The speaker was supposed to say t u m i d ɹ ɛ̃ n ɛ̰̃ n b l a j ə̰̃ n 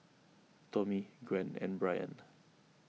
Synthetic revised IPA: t ɔ m i ɡ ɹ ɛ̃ n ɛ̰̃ n b ɹ a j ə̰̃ n

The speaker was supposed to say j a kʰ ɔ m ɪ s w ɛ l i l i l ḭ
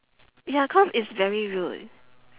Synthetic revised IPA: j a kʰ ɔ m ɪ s v ɛ ɹ i ɹ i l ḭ

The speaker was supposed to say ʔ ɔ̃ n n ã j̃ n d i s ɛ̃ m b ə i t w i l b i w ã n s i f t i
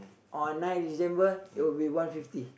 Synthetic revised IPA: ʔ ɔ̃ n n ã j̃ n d i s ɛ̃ m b ə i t w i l b i w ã n f i f t i

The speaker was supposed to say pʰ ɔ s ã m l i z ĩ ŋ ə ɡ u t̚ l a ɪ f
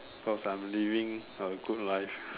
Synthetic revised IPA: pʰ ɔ s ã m l i v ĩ ŋ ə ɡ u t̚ l a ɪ f

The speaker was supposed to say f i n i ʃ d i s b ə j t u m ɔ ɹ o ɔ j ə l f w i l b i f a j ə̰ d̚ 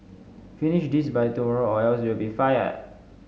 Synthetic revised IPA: f i n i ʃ d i s b a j t u m ɔ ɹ o ɔ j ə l s w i l b i f a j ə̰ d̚

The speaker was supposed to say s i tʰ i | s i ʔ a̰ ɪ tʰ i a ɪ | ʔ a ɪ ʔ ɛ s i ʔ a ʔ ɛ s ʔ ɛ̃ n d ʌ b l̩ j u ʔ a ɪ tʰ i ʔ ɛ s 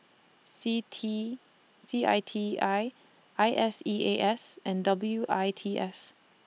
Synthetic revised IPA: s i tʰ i | s i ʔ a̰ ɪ tʰ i a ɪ | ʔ a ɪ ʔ ɛ s i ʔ e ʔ ɛ s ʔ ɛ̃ n d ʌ b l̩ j u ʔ a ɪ tʰ i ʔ ɛ s

